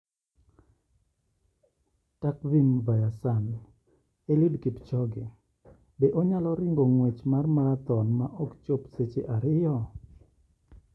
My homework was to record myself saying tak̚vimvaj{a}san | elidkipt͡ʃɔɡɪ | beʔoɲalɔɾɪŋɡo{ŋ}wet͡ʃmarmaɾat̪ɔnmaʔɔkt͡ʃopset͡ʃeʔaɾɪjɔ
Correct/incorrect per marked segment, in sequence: correct, correct

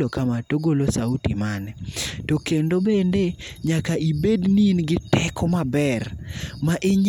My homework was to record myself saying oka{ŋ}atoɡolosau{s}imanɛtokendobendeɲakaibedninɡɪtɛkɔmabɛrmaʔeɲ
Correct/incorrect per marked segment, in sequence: incorrect: m, incorrect: t

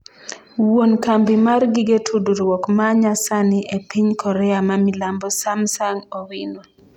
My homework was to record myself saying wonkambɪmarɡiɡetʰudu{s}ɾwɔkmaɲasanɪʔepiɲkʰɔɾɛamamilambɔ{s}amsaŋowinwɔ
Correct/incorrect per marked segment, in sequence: incorrect: none, correct

